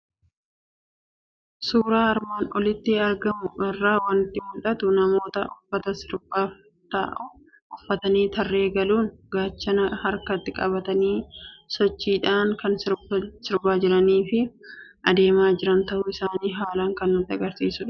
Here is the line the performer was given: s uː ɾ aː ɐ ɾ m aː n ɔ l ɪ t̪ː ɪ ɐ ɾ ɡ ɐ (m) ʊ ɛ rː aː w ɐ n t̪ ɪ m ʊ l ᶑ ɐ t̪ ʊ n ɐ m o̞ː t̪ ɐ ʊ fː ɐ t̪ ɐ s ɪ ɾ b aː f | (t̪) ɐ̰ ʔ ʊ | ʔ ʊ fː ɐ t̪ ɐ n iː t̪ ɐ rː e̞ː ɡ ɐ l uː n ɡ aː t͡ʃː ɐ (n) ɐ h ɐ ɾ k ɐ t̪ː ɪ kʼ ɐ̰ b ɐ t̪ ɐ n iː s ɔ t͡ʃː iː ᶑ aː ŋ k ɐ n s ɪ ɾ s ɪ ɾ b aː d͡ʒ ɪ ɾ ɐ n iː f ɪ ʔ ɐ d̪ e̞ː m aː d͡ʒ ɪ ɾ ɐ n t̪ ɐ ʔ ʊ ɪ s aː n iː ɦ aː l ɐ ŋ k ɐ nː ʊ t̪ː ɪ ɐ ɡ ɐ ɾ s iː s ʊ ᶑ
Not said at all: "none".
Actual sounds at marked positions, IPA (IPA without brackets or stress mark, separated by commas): m, t̪, n